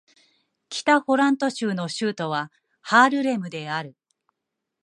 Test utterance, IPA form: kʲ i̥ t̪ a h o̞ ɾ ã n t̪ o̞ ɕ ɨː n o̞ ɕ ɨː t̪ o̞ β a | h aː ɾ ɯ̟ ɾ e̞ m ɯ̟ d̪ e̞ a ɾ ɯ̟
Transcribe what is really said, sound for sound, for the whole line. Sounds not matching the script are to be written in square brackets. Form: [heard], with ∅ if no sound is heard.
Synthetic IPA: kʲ i̥ t̪ a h o̞ ɾ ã n t̪ o̞ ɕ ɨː n o̞ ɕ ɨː t̪ o̞ β a | h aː ɾ ɯ̟ ɾ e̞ m ɯ̟ d̪ e̞ a ɾ ɯ̟

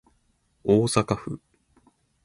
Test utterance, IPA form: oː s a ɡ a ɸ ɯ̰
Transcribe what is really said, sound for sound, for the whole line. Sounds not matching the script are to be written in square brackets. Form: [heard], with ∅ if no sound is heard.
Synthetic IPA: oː s a [k] a ɸ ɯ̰

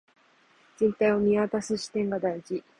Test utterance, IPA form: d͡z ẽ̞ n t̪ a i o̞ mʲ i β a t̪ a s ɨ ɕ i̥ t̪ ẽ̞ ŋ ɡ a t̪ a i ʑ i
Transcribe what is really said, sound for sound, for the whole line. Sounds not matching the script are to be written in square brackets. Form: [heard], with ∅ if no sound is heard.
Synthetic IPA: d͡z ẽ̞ n t̪ a i o̞ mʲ i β a t̪ a s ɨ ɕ i̥ t̪ ẽ̞ ŋ ɡ a [d̪] a i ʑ i

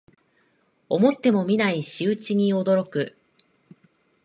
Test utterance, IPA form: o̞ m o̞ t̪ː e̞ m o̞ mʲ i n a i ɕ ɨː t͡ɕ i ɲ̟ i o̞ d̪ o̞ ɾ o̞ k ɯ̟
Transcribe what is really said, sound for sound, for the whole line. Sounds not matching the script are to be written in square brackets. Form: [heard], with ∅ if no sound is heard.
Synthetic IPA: o̞ m o̞ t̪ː e̞ m o̞ mʲ i n a i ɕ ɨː t͡ɕ i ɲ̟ i o̞ d̪ o̞ ɾ o̞ k ɯ̟

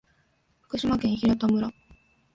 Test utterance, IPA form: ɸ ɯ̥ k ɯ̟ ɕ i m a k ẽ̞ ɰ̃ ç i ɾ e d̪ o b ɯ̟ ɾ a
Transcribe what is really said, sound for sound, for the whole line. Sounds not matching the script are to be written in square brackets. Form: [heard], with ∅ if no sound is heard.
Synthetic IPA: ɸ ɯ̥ k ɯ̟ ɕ i m a k ẽ̞ ɰ̃ ç i ɾ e [t̪] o [m] ɯ̟ ɾ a

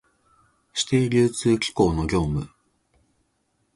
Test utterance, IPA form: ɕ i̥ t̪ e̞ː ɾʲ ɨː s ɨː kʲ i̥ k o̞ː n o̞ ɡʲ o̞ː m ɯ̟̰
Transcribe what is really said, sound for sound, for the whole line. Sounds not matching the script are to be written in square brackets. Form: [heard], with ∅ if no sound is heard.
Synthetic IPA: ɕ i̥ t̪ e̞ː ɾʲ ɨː [t͡s] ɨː kʲ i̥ k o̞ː n o̞ ɡʲ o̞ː m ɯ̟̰

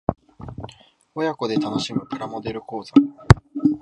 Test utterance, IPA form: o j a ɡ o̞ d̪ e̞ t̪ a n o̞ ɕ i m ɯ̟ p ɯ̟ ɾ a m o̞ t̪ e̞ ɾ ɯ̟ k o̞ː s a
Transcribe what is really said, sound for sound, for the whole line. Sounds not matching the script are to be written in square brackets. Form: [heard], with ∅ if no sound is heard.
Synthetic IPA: o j a [k] o̞ d̪ e̞ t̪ a n o̞ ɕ i m ɯ̟ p ɯ̟ ɾ a m o̞ [d̪] e̞ ɾ ɯ̟ k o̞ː [z] a

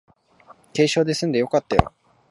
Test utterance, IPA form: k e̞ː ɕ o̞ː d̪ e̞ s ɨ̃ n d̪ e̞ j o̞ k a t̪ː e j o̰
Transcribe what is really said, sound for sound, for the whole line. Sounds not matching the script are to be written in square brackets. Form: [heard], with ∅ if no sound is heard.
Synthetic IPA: k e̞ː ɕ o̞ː d̪ e̞ s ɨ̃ n d̪ e̞ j o̞ k a t̪ː [a] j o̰

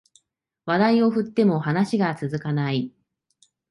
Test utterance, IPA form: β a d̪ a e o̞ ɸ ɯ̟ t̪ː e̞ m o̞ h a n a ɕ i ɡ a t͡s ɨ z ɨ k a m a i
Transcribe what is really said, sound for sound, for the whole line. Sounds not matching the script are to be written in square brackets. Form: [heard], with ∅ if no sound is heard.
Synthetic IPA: β a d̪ a [i] o̞ ɸ ɯ̟ t̪ː e̞ m o̞ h a n a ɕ i ɡ a t͡s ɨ z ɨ k a [n] a i

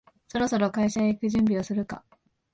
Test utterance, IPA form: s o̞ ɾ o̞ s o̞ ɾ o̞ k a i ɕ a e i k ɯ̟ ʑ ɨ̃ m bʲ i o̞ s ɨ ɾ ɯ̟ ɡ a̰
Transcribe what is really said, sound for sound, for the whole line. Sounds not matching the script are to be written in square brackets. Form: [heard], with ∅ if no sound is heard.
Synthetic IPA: s o̞ ɾ o̞ s o̞ ɾ o̞ k a i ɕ a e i k ɯ̟ ʑ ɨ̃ m bʲ i o̞ s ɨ ɾ ɯ̟ [k] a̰

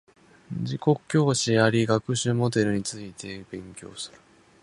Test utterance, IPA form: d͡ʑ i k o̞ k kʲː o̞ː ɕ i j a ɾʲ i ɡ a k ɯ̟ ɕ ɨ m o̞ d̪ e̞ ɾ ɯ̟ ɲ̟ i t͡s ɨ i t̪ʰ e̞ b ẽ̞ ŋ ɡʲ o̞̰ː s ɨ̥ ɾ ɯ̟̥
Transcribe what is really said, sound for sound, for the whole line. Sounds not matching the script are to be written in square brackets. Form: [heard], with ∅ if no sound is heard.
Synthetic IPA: d͡ʑ i k o̞ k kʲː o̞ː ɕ i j a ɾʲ i ɡ a k ɯ̟ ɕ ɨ m o̞ d̪ e̞ ɾ ɯ̟ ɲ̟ i t͡s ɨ i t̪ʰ e̞ b ẽ̞ ŋ [kʲ] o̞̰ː s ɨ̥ ɾ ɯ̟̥

